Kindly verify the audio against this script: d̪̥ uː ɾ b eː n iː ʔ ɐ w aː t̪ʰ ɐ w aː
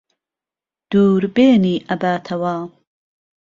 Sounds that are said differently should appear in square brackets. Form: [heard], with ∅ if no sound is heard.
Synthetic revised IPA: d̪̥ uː ɾ b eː n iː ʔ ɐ [b] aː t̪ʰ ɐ w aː